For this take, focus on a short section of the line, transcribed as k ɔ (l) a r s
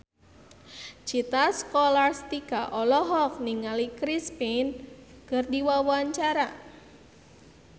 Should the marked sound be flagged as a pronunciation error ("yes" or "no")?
no